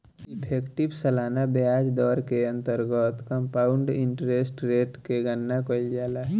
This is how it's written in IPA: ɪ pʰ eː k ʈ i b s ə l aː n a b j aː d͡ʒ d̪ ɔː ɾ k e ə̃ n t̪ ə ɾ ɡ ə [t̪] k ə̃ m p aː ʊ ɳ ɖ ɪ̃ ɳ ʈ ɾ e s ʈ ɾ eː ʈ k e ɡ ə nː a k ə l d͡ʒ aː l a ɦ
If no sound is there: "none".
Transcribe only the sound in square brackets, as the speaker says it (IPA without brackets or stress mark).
t̪